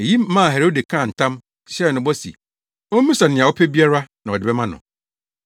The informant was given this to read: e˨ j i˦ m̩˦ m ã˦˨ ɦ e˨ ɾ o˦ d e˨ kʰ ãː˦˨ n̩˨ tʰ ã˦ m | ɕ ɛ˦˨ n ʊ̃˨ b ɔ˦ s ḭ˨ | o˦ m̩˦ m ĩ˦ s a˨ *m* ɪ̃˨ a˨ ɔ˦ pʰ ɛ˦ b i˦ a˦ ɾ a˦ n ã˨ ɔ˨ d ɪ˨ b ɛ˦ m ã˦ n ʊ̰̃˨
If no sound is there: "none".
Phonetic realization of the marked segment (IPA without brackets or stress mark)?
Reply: n